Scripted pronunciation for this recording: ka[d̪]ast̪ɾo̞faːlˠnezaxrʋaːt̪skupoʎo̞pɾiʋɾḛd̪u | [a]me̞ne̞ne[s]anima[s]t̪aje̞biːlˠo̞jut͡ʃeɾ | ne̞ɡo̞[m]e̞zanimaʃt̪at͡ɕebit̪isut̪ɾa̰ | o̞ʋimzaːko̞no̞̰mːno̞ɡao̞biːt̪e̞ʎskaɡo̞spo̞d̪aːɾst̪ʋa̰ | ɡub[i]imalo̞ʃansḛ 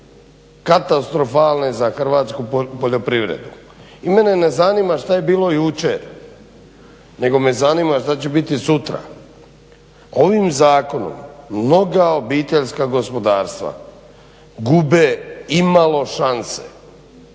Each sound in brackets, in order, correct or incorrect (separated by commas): incorrect, incorrect, incorrect, incorrect, correct, incorrect